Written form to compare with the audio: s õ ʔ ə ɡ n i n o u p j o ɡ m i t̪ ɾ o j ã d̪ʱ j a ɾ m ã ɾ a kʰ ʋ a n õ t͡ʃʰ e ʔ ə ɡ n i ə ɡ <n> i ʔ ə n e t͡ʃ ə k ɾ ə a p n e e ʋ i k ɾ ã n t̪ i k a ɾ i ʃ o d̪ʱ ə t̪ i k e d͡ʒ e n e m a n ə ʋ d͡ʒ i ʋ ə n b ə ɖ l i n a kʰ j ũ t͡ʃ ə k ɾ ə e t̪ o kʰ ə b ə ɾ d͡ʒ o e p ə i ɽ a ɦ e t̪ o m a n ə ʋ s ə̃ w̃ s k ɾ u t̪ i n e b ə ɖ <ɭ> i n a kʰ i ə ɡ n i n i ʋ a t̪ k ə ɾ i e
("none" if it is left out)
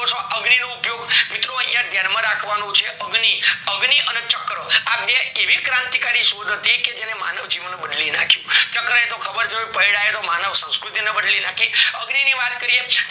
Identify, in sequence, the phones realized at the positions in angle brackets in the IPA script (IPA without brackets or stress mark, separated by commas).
n, l